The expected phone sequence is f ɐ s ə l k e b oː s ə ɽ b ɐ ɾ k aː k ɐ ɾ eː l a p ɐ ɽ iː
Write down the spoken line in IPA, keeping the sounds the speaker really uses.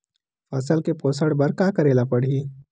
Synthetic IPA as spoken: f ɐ s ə l k e p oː s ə ɽ b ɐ ɾ k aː k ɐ ɾ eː l a p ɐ ɽ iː